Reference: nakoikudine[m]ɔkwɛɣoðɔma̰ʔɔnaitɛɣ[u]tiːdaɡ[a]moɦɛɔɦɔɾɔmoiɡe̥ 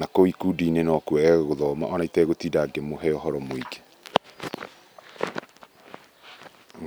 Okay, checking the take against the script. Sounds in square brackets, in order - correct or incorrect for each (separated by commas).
incorrect, incorrect, incorrect